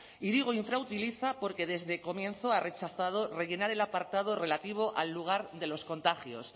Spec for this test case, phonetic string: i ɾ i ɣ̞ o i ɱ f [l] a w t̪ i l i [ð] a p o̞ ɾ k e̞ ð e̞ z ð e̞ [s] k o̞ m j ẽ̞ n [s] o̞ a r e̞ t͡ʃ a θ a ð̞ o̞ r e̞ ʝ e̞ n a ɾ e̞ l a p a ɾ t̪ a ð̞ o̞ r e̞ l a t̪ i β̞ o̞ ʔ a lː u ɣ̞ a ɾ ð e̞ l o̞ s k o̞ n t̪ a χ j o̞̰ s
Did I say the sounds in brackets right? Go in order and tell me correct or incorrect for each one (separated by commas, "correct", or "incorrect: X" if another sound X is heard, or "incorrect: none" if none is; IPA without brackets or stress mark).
incorrect: ɾ, incorrect: θ, incorrect: none, incorrect: θ